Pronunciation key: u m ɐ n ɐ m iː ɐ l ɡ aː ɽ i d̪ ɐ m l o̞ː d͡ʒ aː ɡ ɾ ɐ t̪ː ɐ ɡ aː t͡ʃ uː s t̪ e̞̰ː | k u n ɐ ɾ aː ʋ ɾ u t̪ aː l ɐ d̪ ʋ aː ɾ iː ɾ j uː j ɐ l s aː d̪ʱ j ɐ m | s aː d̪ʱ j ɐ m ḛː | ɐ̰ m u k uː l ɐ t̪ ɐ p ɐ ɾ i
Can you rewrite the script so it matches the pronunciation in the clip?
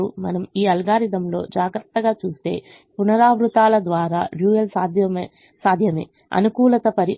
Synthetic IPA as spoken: u m ɐ n ɐ m iː ɐ l ɡ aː ɾ i d̪ ɐ m l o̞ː d͡ʒ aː ɡ ɾ ɐ t̪ː ɐ ɡ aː t͡ʃ uː s t̪ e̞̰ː | p u n ɐ ɾ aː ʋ ɾ u t̪ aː l ɐ d̪ ʋ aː ɾ aː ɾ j uː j ɐ l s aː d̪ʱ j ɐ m | s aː d̪ʱ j ɐ m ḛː | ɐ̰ n u k uː l ɐ t̪ ɐ p ɐ ɾ i